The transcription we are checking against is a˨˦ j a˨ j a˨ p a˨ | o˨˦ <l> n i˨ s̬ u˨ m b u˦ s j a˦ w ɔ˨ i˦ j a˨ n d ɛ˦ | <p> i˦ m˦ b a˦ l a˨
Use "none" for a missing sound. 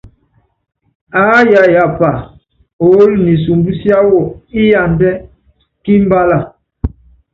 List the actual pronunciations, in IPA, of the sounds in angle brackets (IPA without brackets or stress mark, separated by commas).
l, k